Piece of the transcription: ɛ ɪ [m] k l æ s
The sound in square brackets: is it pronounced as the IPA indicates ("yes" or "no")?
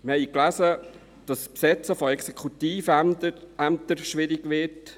no